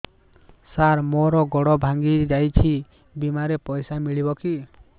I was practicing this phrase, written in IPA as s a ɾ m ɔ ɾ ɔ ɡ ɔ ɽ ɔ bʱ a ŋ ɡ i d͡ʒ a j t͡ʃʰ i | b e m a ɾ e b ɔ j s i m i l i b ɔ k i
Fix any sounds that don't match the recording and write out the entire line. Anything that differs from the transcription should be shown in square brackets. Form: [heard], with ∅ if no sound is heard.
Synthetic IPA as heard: s a ɾ m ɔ ɾ ɔ ɡ ɔ ɽ ɔ bʱ a ŋ ɡ i d͡ʒ a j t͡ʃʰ i | b [i] m a ɾ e [p] ɔ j s [a] m i [ɭ] i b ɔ k i